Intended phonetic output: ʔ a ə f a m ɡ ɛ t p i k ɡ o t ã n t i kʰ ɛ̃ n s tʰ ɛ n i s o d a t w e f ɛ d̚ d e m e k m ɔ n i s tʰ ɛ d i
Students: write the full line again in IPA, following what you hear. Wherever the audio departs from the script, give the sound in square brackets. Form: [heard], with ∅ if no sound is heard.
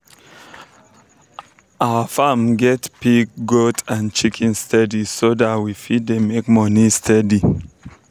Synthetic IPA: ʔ a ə f a m ɡ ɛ t p i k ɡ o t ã n [t͡ʃ] i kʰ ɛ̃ n s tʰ ɛ [d] i s o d a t w [i] f [i] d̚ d e m e k m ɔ n i s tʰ ɛ d i